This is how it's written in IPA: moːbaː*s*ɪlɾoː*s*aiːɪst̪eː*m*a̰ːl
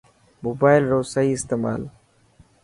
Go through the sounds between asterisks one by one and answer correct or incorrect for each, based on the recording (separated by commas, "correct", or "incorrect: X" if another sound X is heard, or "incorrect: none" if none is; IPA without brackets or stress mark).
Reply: incorrect: none, correct, correct